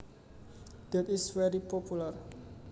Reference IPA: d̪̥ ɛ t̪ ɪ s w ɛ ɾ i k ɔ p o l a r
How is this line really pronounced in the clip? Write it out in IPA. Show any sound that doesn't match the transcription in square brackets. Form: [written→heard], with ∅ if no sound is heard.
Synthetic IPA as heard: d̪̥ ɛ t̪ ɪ s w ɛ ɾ i [k→p] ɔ p [o→u] l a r